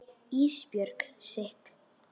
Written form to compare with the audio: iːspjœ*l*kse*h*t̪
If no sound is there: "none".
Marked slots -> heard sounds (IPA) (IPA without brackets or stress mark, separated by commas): ɾ, h